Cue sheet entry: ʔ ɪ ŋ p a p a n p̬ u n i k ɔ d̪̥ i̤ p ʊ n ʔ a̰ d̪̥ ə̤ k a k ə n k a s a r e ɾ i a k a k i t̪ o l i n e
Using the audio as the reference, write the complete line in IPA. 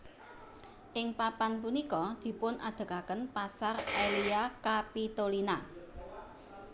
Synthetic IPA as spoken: ʔ ɪ ŋ p a p a n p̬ u n i k ɔ d̪̥ i̤ p ʊ n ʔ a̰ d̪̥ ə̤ k a k ə n p a s a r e l i a k a p i t̪ o l i n a